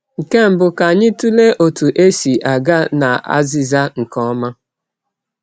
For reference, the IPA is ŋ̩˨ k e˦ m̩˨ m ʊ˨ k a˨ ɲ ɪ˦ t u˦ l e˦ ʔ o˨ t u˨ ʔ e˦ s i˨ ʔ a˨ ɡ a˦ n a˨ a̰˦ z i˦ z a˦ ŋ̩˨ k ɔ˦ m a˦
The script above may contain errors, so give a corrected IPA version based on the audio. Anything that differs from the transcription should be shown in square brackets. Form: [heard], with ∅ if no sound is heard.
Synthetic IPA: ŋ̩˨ k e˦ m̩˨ [b] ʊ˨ k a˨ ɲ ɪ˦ t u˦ l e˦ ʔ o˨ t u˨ ʔ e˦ s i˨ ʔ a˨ ɡ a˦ n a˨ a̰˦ z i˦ z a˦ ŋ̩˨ k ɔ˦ m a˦

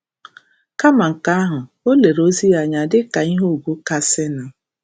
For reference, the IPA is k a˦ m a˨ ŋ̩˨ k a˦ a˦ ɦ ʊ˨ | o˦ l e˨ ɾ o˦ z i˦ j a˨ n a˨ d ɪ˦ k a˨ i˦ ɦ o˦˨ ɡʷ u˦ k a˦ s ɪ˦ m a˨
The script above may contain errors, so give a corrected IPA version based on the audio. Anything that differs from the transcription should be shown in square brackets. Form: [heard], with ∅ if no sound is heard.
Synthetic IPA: k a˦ m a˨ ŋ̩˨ k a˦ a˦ ɦ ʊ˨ | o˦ l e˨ ɾ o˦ z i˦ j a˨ [ɲ] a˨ d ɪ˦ k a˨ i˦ ɦ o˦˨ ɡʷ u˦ k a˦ s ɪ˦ [n] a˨

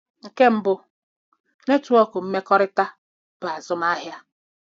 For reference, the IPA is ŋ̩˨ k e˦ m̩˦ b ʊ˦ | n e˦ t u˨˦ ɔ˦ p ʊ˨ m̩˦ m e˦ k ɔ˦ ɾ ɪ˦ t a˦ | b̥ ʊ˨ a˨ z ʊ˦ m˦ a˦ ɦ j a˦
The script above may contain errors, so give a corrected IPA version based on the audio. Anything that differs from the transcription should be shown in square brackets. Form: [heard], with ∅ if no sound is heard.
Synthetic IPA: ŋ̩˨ k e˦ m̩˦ b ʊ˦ | n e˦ t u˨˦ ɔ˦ [k] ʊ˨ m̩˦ m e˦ k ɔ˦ ɾ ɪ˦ t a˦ | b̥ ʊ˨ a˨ z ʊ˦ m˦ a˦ ɦ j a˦

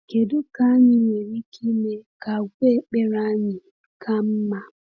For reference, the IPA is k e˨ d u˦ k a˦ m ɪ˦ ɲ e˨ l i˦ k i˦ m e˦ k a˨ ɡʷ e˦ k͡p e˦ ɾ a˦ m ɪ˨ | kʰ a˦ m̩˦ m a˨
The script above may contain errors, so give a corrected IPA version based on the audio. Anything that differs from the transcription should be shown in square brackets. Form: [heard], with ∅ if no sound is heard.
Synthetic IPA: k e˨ d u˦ k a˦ [ɲ] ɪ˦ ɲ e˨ [ɾ] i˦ k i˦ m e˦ k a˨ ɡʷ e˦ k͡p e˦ ɾ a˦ [ɲ] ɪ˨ | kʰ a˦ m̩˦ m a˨

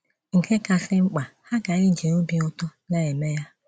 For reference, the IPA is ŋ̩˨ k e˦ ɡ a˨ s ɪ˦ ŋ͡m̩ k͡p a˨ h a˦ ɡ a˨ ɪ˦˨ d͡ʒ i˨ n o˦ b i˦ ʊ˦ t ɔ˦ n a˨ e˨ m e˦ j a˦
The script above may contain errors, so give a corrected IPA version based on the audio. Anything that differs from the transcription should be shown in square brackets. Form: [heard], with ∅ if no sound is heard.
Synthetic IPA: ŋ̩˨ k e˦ [k] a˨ s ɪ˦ ŋ͡m̩ k͡p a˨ h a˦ ɡ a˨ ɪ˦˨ d͡ʒ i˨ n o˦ b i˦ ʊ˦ t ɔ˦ n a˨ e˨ m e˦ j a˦

